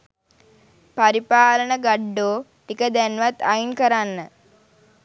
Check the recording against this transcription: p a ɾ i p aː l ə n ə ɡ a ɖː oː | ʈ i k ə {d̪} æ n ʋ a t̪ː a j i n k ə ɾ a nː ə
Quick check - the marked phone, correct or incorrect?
correct